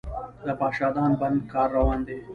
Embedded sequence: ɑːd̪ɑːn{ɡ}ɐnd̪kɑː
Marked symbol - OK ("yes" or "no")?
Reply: no